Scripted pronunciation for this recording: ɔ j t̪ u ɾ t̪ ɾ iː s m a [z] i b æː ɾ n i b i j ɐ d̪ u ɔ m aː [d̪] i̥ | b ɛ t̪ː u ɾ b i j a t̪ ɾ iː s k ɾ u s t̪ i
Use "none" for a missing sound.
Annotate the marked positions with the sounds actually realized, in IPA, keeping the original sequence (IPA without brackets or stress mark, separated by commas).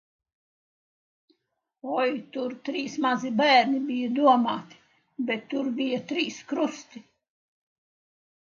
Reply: z, t̪